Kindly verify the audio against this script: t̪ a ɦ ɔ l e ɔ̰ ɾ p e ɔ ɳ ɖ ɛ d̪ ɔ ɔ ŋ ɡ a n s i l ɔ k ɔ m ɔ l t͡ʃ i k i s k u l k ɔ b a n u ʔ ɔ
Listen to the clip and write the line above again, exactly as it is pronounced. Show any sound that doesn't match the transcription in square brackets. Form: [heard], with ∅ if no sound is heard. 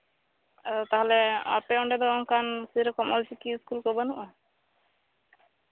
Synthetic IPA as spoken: t̪ a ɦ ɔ l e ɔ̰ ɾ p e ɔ ɳ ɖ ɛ d̪ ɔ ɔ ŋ [k] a n s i [ɾ] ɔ k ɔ m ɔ l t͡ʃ i k i s k u l k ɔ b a n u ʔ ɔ